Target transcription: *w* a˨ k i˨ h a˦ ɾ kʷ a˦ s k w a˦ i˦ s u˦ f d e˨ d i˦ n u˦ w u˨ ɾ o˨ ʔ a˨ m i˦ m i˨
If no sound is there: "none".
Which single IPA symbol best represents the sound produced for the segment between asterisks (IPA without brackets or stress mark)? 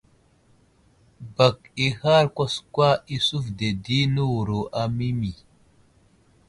b